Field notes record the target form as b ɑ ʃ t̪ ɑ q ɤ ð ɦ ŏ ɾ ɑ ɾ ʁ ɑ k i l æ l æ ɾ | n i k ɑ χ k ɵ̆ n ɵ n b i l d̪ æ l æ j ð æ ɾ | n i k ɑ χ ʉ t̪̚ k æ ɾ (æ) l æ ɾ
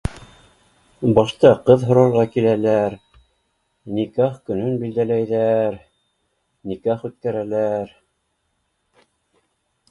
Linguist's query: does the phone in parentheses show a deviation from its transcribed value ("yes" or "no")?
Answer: no